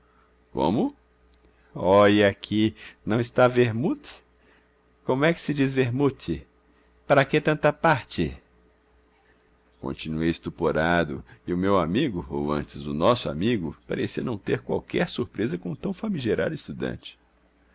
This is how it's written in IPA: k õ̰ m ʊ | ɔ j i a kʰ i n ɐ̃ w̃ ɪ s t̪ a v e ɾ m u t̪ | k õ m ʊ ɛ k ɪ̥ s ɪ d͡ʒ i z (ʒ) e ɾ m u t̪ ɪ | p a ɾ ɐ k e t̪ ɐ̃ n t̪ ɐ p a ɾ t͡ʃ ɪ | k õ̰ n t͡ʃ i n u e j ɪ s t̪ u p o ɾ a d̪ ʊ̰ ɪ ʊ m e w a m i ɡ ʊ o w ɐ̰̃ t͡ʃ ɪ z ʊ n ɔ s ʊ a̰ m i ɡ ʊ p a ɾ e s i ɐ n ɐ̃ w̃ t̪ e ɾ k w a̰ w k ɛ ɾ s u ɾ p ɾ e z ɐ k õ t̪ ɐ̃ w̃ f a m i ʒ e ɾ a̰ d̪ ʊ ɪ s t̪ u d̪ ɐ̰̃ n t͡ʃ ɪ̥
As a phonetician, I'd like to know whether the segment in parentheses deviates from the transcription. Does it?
yes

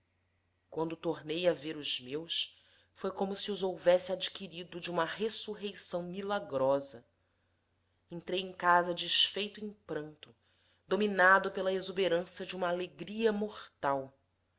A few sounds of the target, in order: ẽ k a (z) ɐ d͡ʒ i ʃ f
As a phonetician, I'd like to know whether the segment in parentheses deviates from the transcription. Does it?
no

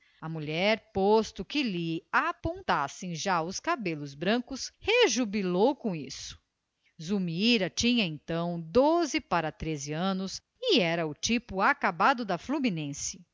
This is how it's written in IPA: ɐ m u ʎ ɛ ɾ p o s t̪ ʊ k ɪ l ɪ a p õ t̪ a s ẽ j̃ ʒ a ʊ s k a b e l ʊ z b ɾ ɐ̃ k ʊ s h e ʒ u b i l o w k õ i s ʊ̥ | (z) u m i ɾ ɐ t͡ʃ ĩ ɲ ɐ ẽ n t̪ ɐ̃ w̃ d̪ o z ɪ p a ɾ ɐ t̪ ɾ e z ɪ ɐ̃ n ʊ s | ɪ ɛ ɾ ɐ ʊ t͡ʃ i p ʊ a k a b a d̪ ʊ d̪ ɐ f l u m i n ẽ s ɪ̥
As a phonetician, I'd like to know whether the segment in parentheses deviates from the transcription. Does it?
no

